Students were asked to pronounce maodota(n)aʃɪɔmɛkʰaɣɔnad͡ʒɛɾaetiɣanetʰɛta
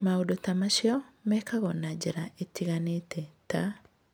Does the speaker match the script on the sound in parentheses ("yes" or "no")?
no